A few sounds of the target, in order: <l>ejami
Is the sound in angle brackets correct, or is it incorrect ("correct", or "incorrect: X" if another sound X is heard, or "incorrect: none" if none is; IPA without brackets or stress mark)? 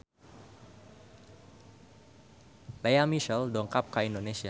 correct